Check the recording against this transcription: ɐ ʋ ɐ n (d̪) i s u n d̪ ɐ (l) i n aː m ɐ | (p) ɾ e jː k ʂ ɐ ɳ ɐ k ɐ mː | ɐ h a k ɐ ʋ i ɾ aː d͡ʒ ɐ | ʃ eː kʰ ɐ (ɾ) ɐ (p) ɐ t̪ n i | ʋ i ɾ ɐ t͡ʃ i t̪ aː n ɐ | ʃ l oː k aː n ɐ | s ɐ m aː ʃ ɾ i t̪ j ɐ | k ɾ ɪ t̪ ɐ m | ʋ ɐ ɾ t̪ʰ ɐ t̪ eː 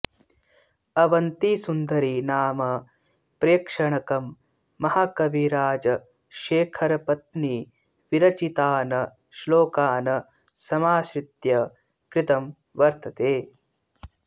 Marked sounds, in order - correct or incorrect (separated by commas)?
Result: incorrect, incorrect, correct, correct, correct